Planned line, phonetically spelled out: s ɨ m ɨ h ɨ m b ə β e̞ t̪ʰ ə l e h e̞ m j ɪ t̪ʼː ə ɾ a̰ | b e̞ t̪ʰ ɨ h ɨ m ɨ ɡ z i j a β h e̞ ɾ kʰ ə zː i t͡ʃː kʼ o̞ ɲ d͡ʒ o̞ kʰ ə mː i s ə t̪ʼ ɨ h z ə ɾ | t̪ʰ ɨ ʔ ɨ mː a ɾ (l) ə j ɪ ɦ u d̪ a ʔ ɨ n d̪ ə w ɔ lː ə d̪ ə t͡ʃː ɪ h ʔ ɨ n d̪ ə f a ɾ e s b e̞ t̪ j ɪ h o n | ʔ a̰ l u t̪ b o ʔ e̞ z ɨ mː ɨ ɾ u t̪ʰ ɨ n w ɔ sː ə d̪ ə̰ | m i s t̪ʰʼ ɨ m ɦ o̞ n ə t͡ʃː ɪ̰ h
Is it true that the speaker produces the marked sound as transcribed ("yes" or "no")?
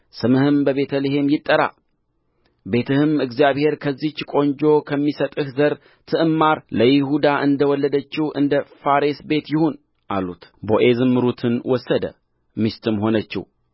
yes